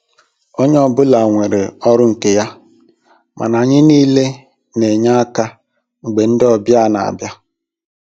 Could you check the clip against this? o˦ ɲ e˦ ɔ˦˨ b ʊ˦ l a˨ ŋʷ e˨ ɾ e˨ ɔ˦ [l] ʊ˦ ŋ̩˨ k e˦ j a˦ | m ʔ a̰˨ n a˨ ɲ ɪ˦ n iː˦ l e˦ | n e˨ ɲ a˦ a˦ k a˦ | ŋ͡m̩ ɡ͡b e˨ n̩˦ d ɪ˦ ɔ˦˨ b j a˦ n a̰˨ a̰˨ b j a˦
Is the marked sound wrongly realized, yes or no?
yes